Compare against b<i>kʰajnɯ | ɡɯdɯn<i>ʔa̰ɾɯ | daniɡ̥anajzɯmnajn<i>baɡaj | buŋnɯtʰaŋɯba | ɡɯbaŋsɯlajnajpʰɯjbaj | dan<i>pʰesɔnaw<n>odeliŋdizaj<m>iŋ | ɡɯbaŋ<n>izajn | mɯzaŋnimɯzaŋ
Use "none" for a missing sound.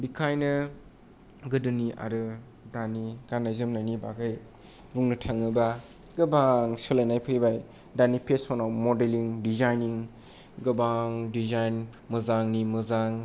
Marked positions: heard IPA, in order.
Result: i, i, i, i, m, n, d

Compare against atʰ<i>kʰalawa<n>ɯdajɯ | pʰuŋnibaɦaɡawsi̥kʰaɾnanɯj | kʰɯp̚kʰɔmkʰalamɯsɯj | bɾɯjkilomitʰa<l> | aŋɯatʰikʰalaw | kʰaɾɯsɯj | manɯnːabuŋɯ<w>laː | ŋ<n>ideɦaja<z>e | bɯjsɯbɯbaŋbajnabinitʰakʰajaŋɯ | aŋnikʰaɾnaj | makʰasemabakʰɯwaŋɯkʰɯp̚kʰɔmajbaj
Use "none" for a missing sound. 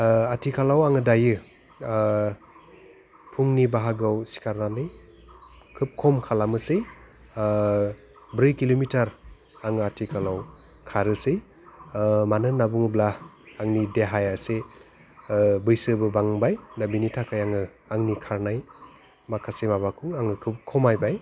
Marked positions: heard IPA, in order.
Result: i, ŋ, ɾ, b, n, s

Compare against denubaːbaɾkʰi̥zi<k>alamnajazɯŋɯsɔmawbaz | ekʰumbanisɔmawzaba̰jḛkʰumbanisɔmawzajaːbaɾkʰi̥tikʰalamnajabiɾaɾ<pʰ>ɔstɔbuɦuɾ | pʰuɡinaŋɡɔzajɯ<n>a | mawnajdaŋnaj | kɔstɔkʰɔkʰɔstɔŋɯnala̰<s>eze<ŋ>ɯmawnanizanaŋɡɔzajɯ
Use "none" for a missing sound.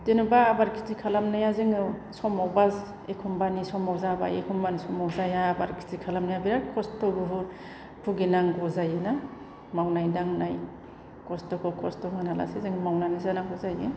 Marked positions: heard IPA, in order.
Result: kʰ, kʰ, n, s, ŋ

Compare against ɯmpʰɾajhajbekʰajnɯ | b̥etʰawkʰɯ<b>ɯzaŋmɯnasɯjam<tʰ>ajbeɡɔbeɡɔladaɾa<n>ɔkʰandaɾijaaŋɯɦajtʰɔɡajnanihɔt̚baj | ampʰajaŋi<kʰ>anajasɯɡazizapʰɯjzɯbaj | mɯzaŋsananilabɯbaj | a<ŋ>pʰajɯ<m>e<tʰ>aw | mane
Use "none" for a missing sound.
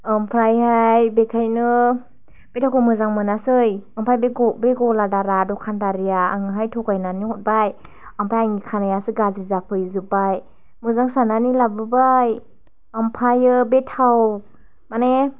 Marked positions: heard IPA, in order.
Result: m, pʰ, d, kʰ, m, b, tʰ

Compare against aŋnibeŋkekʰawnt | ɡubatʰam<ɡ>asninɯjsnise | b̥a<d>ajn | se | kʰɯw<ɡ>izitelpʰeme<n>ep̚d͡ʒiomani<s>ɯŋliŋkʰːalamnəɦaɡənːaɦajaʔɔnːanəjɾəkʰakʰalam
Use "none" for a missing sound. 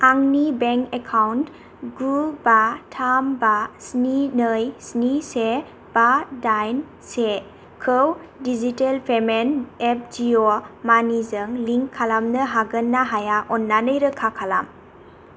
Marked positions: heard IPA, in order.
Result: b, d, d, n, z

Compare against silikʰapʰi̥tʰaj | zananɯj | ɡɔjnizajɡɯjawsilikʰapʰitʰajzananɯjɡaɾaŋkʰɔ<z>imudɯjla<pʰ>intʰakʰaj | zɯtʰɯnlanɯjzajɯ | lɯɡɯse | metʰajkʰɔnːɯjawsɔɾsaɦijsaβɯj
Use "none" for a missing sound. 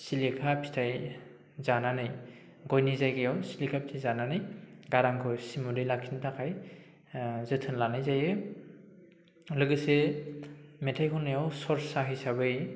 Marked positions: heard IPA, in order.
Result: s, kʰ

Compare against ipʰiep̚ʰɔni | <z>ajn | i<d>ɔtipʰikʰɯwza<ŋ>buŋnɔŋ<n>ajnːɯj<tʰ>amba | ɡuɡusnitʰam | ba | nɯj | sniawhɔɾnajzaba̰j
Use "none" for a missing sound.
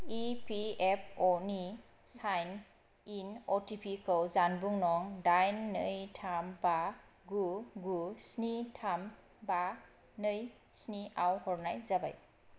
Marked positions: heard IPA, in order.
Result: s, n, n, d, tʰ

